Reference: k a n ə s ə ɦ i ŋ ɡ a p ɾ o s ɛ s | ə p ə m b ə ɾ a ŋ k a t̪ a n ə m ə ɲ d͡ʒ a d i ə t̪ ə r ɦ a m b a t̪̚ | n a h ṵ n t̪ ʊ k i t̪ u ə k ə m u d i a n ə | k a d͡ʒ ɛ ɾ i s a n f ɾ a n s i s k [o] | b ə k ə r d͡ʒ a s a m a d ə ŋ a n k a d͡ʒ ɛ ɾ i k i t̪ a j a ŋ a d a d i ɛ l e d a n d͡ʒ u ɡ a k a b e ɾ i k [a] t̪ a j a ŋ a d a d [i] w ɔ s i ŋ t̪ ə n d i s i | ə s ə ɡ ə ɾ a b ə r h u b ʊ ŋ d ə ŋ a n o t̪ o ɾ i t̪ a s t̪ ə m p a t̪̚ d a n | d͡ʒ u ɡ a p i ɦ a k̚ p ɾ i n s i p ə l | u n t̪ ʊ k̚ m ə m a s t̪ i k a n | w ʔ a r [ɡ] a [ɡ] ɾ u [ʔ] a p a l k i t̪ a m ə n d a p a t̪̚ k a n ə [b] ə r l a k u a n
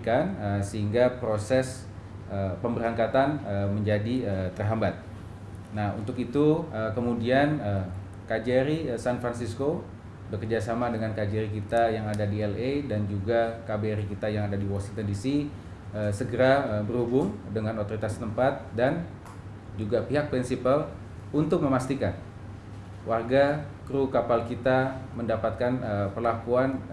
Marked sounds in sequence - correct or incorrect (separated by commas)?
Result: correct, incorrect, correct, correct, incorrect, incorrect, incorrect